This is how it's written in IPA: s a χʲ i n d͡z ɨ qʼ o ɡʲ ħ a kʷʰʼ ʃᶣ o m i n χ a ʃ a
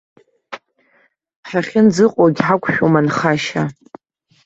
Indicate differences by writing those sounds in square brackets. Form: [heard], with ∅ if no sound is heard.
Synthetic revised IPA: [ħ] a χʲ [ɪ] n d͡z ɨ qʼ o ɡʲ ħ a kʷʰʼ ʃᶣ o m [a] n χ a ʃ a